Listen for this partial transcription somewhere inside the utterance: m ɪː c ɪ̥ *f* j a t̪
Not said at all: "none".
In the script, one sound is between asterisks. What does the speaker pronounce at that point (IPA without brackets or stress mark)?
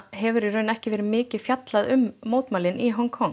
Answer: f